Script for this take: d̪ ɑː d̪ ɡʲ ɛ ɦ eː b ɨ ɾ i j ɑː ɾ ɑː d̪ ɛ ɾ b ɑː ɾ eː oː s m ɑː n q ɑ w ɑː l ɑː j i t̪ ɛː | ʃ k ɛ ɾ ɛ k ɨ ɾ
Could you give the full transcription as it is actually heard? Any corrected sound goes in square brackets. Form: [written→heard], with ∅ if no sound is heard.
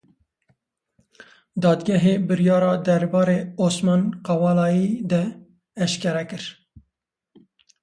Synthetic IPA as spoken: d̪ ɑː d̪ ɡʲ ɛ ɦ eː b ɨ ɾ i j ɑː ɾ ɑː d̪ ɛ ɾ b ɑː ɾ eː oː s m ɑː n q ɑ w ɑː l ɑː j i [t̪→d̪] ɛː | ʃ k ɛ ɾ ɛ k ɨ ɾ